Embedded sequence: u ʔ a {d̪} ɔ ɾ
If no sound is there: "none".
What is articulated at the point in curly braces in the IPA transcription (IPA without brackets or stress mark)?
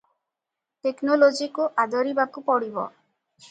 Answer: d̪